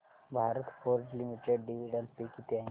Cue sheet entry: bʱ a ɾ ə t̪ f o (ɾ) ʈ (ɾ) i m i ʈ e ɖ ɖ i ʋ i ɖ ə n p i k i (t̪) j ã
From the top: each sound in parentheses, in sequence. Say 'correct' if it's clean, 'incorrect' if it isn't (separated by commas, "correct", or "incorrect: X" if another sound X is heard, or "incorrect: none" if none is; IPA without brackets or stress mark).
correct, incorrect: l, correct